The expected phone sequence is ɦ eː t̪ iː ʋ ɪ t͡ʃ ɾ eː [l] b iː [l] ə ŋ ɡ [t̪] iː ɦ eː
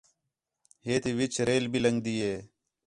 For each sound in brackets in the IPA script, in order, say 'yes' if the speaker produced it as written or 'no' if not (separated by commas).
yes, yes, no